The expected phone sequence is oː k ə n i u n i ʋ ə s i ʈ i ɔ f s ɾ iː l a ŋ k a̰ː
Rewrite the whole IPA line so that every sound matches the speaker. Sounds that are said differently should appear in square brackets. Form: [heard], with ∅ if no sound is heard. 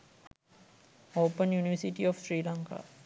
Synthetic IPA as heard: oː [p] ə n [j] u n i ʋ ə s i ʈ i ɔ f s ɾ iː l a ŋ k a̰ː